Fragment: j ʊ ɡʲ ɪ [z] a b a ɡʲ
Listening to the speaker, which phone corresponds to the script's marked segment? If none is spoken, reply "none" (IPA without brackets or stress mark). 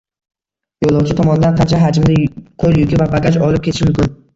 v